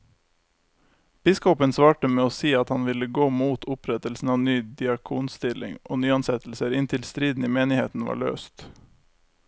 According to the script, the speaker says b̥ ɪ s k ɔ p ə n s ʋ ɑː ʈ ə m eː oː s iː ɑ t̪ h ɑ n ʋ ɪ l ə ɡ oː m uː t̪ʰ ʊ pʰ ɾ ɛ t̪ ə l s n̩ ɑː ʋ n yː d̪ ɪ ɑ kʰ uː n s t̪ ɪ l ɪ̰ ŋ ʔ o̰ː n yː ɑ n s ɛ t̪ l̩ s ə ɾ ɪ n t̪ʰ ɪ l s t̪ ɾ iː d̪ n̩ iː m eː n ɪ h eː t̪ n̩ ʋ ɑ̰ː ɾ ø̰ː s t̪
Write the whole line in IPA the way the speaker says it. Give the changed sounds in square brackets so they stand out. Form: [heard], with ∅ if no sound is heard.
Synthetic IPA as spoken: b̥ ɪ s k ɔ p ə n s ʋ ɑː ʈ ə m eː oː s iː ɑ t̪ h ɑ n ʋ ɪ l ə ɡ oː m uː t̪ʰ ʊ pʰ ɾ ɛ t̪ ə l s n̩ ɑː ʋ n yː d̪ ɪ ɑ kʰ uː n s t̪ ɪ l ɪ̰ ŋ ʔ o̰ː n yː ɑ n s ɛ t̪ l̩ s ə ɾ ɪ n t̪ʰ ɪ l s t̪ ɾ iː d̪ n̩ iː m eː n ɪ h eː t̪ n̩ ʋ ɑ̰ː [ɭ] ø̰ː s t̪

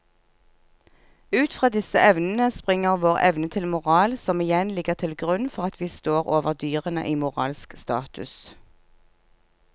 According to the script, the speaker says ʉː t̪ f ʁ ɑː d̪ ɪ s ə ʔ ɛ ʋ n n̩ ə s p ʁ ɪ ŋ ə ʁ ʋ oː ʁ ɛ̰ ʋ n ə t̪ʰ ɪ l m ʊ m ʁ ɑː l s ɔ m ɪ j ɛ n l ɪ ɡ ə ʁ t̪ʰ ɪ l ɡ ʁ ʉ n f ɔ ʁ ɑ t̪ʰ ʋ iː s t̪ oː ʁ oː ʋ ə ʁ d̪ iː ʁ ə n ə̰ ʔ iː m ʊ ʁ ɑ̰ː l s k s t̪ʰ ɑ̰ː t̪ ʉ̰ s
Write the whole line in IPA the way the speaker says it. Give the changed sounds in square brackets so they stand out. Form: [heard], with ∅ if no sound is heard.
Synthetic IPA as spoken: ʉː t̪ f ʁ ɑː d̪ ɪ s ə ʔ ɛ ʋ n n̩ ə s p ʁ ɪ ŋ ə ʁ ʋ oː ʁ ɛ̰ ʋ n ə t̪ʰ ɪ l m ʊ [∅] ʁ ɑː l s ɔ m ɪ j ɛ n l ɪ ɡ ə ʁ t̪ʰ ɪ l ɡ ʁ ʉ n f ɔ ʁ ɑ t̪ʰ ʋ iː s t̪ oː ʁ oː ʋ ə ʁ d̪ [yː] ʁ ə n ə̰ ʔ iː m ʊ ʁ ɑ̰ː l s k s [t̪] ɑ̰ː t̪ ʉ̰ s

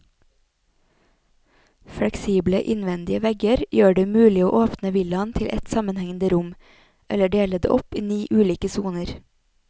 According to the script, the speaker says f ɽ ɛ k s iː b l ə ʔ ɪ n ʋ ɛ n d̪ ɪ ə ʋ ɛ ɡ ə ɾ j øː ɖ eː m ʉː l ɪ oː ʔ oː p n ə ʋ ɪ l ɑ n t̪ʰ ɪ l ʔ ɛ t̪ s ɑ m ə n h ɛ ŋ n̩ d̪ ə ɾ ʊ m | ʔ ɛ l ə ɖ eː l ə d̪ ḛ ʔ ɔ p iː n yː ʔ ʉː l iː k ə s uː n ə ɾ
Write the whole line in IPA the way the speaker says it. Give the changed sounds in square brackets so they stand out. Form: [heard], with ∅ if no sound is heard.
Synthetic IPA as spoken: f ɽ ɛ k s iː b l ə ʔ ɪ n ʋ ɛ n d̪ ɪ ə ʋ ɛ ɡ ə ɾ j øː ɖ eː m ʉː l ɪ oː ʔ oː p n ə ʋ ɪ l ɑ n t̪ʰ ɪ l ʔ ɛ t̪ s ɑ m ə n h ɛ ŋ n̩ d̪ ə ɾ ʊ m | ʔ ɛ l ə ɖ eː l ə d̪ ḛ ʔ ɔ p iː n [iː] ʔ ʉː l iː k ə s uː n ə ɾ

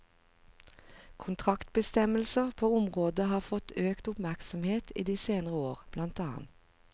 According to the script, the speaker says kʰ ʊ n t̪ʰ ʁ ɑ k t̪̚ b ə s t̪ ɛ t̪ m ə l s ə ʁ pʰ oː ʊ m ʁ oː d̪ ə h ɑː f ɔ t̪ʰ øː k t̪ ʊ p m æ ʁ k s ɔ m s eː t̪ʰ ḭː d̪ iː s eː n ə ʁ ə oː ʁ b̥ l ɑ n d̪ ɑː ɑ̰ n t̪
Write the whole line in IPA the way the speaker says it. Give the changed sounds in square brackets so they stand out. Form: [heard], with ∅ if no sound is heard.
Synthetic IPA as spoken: kʰ ʊ n t̪ʰ ʁ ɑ k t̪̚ b ə s t̪ ɛ [∅] m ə l s ə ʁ pʰ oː ʊ m ʁ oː d̪ ə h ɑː f ɔ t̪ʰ øː k t̪ ʊ p m æ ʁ k s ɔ m [h] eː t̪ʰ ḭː d̪ iː s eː n ə ʁ ə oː ʁ b̥ l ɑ n [t̪] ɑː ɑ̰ n t̪

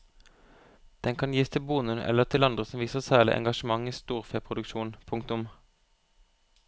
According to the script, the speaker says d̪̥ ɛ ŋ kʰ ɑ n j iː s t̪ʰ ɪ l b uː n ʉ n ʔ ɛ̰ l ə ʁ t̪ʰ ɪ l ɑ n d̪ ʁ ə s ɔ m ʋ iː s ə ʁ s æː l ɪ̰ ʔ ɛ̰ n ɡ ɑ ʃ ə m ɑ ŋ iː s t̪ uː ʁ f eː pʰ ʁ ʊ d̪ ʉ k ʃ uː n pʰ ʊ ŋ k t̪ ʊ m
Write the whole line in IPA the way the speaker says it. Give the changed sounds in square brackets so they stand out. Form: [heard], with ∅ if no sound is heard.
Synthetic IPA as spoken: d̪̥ ɛ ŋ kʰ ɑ n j iː s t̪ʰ ɪ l b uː n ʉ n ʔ ɛ̰ l ə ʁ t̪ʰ ɪ l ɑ n d̪ ʁ ə s ɔ m ʋ iː s ə ʁ s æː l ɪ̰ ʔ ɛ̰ [ŋ] ɡ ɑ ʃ ə m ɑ ŋ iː s t̪ uː ʁ f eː pʰ ʁ ʊ d̪ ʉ k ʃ uː n pʰ ʊ ŋ k t̪ ʊ m

